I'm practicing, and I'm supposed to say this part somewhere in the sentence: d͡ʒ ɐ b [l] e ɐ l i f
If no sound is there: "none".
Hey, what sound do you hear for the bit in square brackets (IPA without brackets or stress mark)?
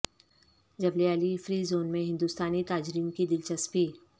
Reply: l